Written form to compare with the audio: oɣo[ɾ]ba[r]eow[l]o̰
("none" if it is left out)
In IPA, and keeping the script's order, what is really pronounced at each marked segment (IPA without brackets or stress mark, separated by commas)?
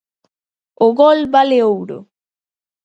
l, l, ɾ